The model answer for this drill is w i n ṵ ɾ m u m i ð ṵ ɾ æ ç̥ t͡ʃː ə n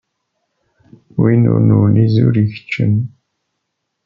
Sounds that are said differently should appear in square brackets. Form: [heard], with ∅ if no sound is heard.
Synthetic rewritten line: w i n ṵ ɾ [n] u [n] i [z] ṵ ɾ [i] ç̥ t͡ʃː ə n